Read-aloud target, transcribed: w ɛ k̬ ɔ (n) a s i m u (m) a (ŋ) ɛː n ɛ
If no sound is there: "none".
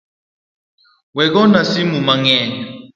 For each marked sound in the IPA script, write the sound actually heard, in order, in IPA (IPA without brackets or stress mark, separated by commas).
n, m, ŋ